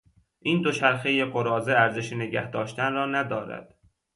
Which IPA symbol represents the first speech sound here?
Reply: ʔ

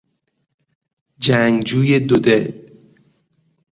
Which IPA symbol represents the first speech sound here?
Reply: d͡ʒ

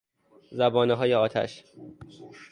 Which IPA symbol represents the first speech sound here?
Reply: z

